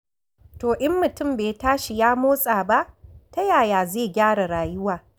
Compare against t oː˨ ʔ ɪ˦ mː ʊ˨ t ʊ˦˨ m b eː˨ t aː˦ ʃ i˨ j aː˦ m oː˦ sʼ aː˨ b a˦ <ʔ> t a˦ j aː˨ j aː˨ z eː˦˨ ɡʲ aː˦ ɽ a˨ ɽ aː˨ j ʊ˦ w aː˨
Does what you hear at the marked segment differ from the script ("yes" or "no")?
no